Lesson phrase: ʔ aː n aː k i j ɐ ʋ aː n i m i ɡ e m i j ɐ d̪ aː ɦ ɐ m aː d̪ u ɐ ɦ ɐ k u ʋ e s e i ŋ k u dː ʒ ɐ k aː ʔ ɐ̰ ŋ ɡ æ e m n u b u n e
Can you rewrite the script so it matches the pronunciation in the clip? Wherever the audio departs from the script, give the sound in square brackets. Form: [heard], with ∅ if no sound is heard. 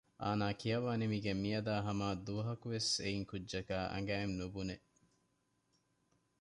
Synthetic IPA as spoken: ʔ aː n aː k i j ɐ ʋ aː n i m i ɡ e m i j ɐ d̪ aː ɦ ɐ m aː d̪ u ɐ ɦ ɐ k u ʋ e s e i ŋ k u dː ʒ ɐ k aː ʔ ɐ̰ ŋ ɡ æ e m n u b u n e